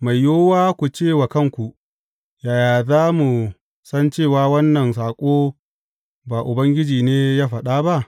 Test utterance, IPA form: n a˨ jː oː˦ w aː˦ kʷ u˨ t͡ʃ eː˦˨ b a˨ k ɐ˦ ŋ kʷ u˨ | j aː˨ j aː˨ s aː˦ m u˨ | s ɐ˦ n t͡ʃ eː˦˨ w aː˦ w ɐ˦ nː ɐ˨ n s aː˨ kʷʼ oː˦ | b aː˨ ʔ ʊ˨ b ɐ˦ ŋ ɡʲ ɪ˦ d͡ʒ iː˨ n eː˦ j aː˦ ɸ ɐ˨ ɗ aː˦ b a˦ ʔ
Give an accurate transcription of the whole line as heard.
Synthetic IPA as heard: m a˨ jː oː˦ w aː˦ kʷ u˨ t͡ʃ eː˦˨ w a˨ k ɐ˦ ŋ kʷ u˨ | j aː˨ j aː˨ z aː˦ m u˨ | s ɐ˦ n t͡ʃ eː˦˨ w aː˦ w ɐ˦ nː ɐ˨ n s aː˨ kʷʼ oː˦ | b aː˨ ʔ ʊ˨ b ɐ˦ ŋ ɡʲ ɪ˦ d͡ʒ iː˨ n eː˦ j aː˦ ɸ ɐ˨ ɗ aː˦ b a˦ ʔ